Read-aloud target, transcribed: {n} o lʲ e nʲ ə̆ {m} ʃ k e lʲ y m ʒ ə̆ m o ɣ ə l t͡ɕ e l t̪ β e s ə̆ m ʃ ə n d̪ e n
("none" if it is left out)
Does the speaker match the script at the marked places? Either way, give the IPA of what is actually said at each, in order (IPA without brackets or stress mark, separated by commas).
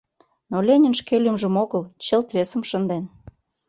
n, n